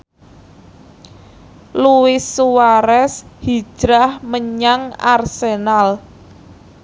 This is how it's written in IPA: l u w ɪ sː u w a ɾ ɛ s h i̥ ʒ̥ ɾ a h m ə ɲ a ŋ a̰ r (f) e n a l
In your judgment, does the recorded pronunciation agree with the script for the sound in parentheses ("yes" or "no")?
no